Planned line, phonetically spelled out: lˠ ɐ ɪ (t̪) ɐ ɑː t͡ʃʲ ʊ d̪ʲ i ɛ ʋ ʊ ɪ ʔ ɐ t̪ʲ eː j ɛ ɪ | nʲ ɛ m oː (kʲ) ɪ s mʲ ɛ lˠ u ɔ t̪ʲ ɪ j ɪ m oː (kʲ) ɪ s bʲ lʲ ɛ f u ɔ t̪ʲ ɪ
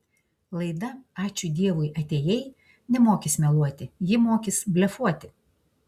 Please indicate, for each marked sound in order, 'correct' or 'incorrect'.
incorrect, correct, correct

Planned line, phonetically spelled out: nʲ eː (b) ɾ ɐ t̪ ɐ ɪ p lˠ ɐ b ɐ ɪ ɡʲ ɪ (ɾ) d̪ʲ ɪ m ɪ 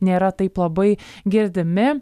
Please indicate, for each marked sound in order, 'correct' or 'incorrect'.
incorrect, correct

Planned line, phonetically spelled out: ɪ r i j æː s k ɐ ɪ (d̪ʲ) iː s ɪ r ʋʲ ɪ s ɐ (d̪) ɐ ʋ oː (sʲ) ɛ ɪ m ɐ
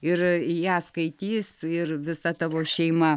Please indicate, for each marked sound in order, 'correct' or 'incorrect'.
incorrect, incorrect, incorrect

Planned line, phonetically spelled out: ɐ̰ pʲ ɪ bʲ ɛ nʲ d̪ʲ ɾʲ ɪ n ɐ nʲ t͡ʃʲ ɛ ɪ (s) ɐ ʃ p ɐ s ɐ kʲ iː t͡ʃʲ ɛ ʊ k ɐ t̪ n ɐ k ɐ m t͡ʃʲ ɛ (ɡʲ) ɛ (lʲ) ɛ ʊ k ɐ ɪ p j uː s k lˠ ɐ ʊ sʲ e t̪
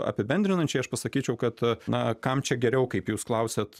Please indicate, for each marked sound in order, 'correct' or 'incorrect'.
incorrect, correct, incorrect

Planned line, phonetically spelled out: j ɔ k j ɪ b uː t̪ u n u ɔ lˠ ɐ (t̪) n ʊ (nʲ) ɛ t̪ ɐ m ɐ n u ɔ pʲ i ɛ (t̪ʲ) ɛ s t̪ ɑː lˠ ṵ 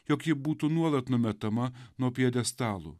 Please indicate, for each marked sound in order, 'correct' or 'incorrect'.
correct, incorrect, incorrect

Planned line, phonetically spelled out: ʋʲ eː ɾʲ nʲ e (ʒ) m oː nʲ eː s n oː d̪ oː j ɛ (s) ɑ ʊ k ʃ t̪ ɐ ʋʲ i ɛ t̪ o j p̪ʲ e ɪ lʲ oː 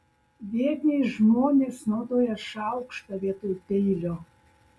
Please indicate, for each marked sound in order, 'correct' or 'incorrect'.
correct, incorrect

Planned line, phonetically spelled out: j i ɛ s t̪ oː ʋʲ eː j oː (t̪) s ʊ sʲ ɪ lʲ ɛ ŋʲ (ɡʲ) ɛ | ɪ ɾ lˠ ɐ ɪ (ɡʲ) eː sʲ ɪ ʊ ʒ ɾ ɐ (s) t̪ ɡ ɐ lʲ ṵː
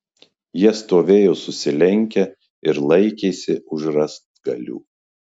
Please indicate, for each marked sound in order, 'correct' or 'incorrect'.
incorrect, incorrect, incorrect, correct

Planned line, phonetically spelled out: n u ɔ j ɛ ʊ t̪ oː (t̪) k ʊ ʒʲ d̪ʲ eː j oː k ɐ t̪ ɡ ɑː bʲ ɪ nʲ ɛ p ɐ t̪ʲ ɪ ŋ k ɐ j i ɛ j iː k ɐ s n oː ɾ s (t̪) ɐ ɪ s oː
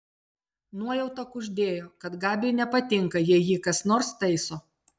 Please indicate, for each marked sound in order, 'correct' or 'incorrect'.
incorrect, correct

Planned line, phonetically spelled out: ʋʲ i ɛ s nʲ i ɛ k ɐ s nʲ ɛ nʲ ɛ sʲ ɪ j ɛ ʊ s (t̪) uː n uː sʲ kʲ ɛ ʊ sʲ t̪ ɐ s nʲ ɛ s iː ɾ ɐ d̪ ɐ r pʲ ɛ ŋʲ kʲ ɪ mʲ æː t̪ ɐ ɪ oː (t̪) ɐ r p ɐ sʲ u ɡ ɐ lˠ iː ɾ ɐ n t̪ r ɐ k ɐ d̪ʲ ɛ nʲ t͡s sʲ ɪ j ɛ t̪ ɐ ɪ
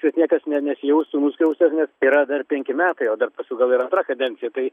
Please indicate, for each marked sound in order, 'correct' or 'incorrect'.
correct, incorrect

